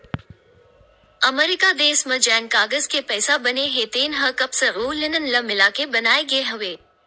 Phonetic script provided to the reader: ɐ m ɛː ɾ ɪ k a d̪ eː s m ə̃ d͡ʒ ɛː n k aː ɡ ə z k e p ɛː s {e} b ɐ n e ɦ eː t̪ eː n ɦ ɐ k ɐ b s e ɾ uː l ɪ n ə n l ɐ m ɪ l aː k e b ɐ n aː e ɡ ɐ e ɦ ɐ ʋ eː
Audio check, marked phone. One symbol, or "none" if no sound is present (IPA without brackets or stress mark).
a